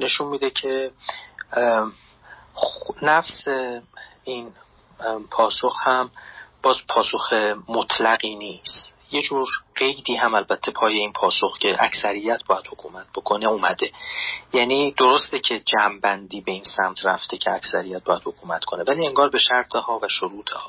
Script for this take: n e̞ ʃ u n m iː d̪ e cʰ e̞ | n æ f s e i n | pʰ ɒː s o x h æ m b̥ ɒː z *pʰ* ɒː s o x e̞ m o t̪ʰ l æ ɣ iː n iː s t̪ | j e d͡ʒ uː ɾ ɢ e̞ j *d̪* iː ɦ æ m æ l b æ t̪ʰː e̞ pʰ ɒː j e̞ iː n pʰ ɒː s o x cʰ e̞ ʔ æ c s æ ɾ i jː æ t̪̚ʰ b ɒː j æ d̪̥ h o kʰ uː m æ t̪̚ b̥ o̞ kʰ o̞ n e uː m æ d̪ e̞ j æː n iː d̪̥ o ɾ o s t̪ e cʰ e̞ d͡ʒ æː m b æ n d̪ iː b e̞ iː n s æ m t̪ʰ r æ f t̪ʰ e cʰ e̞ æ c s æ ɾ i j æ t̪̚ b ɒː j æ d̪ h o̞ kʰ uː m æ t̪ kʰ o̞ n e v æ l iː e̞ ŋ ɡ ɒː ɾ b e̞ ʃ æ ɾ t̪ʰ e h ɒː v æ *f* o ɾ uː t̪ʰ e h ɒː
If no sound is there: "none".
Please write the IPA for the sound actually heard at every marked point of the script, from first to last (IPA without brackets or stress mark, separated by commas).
pʰ, d̪, ʃ